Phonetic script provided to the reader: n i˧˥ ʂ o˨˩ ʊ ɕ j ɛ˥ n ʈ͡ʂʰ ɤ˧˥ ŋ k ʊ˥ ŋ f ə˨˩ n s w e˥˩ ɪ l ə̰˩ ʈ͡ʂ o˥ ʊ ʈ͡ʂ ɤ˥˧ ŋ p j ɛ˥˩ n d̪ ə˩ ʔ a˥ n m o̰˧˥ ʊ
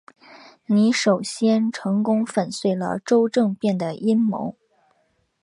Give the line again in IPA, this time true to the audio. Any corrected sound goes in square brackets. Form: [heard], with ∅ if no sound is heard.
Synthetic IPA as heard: n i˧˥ ʂ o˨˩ ʊ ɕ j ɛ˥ n ʈ͡ʂʰ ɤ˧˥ ŋ k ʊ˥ ŋ f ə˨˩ n s w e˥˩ ɪ l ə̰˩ ʈ͡ʂ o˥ ʊ ʈ͡ʂ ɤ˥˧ ŋ p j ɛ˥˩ n d̪ ə˩ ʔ [i˥] n m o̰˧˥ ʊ